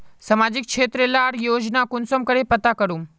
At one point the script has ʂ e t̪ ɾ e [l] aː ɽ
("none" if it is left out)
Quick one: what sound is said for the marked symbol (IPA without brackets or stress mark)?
l